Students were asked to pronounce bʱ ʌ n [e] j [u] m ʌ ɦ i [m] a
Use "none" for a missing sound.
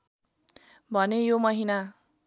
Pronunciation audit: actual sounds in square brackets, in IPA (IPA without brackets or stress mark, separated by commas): e, o, n